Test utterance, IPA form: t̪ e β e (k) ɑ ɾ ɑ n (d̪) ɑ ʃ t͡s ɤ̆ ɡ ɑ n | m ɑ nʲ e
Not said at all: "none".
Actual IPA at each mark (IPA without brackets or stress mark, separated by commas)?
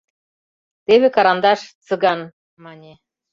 k, d̪